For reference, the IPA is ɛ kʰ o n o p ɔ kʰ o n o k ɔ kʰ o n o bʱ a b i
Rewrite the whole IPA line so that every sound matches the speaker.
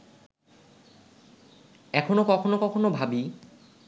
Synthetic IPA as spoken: ɛ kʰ o n o k ɔ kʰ o n o k ɔ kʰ o n o bʱ a b i